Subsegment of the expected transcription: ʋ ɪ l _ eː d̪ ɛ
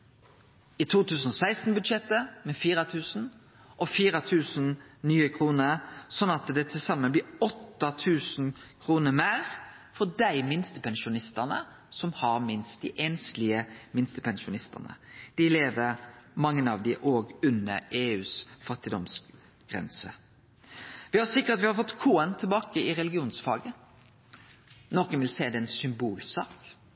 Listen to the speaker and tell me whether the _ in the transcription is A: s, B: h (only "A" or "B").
A